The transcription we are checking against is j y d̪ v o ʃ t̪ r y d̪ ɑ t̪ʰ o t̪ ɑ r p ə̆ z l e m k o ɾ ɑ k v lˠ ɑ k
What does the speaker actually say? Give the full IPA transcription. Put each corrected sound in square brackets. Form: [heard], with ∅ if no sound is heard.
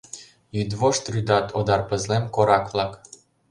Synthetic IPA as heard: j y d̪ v o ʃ t̪ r y d̪ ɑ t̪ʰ o [d̪] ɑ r p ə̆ z l e m k o ɾ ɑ k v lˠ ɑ k